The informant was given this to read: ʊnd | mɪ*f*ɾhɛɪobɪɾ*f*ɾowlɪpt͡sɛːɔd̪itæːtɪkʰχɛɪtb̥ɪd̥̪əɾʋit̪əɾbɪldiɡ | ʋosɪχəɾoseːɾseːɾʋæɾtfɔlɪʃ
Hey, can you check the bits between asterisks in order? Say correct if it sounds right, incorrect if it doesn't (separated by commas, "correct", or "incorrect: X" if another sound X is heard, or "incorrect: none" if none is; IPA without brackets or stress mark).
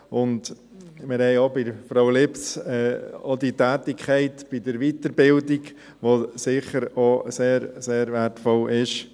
incorrect: none, correct